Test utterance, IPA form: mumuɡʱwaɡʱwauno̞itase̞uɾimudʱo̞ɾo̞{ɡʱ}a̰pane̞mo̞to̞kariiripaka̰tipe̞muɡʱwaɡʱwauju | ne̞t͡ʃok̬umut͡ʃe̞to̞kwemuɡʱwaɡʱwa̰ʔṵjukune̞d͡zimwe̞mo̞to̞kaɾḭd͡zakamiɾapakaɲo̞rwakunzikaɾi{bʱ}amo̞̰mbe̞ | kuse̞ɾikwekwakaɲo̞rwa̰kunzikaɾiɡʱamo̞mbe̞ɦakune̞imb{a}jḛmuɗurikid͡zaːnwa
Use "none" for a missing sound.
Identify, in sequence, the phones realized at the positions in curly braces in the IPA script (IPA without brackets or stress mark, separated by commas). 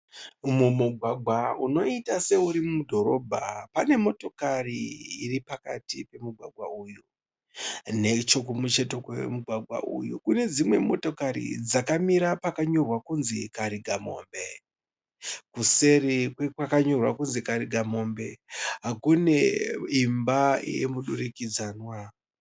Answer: bʱ, ɡʱ, a